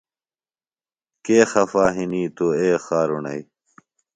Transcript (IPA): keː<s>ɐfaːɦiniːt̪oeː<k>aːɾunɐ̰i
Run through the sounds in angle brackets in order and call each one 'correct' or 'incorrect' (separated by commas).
incorrect, incorrect